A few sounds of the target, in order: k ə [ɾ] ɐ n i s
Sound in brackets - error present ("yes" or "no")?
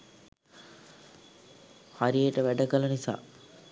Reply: yes